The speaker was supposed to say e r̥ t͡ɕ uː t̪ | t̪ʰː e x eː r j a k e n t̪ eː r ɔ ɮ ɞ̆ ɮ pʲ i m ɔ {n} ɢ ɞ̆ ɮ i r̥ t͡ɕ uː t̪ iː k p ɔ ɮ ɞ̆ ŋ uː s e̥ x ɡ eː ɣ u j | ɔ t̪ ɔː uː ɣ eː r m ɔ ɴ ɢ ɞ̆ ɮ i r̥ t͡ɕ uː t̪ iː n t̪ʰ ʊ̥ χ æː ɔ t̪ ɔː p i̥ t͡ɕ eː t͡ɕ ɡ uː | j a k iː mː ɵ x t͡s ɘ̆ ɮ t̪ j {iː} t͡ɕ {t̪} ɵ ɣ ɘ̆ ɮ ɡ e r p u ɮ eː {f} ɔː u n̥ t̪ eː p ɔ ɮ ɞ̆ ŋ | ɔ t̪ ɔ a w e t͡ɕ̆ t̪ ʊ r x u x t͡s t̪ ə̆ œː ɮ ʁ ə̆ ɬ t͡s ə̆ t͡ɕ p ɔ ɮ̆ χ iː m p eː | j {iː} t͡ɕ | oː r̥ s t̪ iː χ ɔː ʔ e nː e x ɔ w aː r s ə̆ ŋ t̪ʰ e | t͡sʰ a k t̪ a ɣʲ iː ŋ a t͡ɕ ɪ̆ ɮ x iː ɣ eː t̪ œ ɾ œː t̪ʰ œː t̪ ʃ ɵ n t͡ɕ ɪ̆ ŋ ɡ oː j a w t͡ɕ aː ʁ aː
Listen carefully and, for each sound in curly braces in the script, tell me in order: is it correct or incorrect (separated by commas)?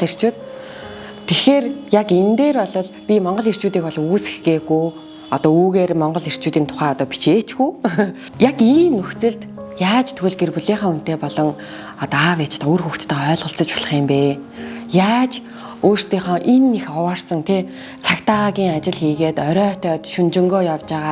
incorrect, incorrect, incorrect, incorrect, incorrect